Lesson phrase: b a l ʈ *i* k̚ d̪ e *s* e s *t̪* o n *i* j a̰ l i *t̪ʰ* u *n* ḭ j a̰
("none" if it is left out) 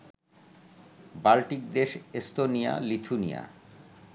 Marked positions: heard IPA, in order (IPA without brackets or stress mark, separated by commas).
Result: i, ʃ, t̪, i, t̪ʰ, n